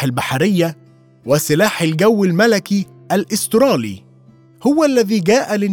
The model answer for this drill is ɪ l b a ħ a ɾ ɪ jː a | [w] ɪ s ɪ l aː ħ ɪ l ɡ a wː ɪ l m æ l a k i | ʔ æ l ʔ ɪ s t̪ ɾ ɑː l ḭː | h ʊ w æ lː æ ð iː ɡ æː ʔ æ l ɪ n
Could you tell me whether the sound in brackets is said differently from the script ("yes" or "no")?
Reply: no